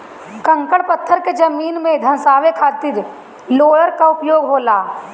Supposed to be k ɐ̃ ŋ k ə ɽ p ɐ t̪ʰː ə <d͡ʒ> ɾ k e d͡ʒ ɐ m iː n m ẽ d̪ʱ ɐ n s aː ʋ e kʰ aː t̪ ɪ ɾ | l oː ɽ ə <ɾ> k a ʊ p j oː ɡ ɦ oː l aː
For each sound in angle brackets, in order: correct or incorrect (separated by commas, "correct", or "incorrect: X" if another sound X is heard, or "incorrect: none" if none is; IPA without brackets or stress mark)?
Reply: incorrect: none, correct